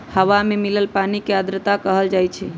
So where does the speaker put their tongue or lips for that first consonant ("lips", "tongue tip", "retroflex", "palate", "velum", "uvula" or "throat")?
throat